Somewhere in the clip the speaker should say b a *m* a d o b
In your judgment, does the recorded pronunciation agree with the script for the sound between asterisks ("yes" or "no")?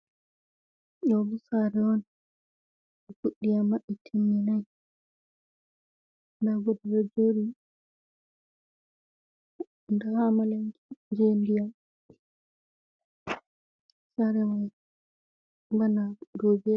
no